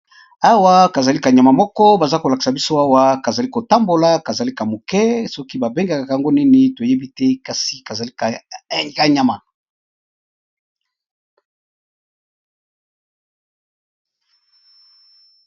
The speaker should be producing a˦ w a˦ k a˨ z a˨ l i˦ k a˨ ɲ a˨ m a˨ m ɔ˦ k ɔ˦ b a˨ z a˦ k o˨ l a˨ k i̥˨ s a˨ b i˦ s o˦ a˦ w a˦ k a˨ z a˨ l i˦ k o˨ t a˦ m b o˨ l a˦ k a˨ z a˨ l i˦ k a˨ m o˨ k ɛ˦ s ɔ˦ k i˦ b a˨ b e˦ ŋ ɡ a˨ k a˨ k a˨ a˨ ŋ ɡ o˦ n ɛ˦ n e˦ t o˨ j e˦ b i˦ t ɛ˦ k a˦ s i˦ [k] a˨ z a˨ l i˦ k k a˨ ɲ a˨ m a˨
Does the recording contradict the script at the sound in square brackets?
no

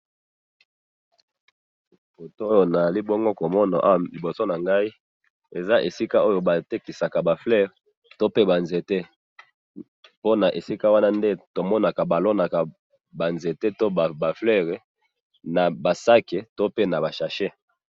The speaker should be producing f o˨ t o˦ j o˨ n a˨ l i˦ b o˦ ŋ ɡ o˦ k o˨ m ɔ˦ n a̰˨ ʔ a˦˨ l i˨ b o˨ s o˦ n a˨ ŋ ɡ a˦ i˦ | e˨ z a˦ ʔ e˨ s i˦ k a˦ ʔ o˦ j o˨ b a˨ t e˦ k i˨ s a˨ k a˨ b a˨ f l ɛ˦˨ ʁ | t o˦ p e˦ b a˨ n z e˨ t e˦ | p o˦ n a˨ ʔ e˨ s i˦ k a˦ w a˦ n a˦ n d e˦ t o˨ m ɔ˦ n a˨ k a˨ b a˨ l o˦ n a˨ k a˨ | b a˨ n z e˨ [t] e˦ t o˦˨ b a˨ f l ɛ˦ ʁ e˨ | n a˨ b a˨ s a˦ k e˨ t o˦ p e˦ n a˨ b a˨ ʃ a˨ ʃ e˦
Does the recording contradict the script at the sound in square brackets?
no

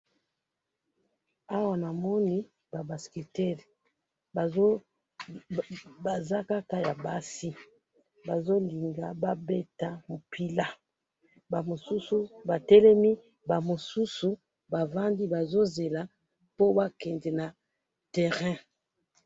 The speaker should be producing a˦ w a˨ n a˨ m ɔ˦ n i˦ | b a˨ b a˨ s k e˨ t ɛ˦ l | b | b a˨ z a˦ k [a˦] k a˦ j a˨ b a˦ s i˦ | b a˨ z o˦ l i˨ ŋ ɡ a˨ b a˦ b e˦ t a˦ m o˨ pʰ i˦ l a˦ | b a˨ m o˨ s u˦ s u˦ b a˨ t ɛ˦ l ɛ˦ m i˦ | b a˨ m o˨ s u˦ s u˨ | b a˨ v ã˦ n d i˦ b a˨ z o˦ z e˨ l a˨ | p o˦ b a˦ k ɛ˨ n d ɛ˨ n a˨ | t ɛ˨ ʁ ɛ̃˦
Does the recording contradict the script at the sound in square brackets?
no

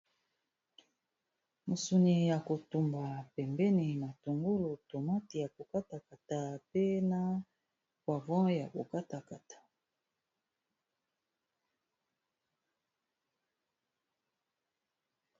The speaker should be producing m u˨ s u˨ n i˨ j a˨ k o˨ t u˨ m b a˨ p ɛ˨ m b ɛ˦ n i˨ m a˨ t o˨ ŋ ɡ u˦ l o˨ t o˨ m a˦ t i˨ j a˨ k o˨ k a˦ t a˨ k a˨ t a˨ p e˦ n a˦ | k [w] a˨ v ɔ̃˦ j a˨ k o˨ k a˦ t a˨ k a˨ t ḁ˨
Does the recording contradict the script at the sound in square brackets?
no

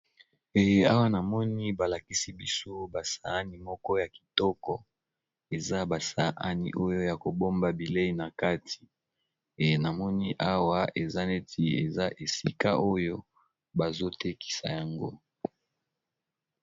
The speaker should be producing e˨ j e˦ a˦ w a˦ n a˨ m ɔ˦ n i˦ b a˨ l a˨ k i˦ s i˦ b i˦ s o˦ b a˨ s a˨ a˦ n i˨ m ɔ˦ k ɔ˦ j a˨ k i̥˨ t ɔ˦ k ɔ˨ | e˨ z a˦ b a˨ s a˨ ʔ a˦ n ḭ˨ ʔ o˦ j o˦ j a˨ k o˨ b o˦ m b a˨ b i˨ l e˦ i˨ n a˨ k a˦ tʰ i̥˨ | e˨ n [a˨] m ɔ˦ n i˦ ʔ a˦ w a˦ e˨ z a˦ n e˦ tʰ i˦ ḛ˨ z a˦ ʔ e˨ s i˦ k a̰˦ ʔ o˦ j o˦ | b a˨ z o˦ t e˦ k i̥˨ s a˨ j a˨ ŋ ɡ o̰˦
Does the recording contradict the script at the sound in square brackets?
no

